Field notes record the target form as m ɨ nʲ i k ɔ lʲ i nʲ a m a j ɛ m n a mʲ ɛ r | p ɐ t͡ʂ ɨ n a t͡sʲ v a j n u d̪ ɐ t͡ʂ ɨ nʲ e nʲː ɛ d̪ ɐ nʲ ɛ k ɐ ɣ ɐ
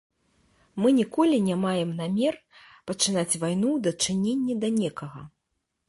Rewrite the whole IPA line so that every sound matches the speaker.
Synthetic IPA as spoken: m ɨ nʲ i k ɔ lʲ i nʲ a m a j ɛ m n a mʲ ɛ r | p ɐ t͡ʂ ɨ n a t͡sʲ v a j n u d̪ ɐ t͡ʂ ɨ nʲ e nʲː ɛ d̪ ɐ nʲ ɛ k ɐ ɣ ɐ